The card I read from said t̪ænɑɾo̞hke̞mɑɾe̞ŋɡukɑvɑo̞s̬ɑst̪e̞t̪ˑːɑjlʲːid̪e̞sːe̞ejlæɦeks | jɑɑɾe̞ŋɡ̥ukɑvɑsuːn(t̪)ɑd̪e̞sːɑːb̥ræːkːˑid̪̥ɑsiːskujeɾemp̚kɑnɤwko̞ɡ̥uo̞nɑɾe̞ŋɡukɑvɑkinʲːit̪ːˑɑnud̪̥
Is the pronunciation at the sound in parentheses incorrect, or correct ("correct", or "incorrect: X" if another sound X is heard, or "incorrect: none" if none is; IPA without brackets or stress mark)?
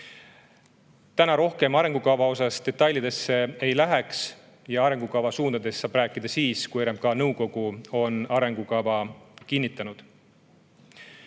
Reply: incorrect: d̪